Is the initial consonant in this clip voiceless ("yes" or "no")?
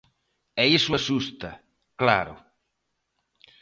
yes